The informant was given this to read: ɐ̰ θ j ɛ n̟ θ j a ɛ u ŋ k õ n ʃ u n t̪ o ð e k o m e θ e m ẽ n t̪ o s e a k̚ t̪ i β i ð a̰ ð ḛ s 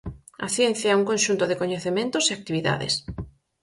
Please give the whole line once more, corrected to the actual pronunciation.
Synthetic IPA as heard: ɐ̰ θ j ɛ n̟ θ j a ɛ u ŋ k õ n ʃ u n t̪ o ð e k o ɲ e θ e m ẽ n t̪ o s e a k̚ t̪ i β i ð a̰ ð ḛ s